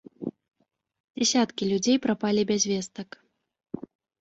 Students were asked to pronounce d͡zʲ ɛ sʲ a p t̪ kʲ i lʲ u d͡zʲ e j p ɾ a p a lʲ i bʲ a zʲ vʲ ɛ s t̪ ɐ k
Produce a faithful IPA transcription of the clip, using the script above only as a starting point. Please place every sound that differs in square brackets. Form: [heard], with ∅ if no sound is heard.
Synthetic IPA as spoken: d͡zʲ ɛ sʲ a [∅] t̪ kʲ i lʲ u d͡zʲ e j p ɾ a p a lʲ i bʲ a zʲ vʲ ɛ s t̪ ɐ k